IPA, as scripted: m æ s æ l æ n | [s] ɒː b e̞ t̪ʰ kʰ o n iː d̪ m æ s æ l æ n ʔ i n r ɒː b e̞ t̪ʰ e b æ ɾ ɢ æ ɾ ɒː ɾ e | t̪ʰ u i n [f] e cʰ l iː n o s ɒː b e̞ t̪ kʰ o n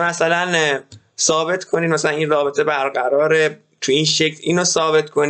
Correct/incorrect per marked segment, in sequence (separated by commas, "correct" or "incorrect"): correct, incorrect